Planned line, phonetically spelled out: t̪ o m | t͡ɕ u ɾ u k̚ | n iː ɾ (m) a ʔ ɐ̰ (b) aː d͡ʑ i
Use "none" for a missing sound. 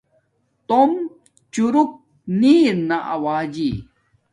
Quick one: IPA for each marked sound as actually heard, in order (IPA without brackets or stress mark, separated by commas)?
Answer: n, w